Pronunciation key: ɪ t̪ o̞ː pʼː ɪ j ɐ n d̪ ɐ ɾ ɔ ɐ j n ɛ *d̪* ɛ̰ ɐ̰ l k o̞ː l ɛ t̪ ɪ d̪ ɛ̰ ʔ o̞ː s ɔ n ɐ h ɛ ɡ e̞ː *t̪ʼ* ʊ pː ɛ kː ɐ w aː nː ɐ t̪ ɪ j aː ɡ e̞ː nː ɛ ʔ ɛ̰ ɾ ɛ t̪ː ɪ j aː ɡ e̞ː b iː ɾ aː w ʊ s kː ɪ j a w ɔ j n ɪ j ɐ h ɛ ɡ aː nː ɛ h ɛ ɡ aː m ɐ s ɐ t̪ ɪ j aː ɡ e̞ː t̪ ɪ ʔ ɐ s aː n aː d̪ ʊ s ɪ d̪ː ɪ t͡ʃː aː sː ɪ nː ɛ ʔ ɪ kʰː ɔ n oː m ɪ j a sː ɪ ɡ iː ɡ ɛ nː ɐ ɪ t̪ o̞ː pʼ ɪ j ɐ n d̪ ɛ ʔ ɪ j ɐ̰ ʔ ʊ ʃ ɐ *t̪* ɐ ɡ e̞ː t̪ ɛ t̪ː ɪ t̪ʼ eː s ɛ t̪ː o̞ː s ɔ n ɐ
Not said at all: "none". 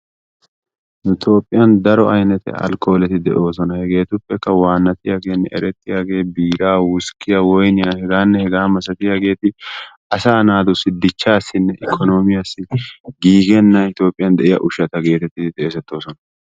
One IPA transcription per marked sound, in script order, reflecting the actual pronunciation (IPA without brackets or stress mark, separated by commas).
t̪, t̪, t̪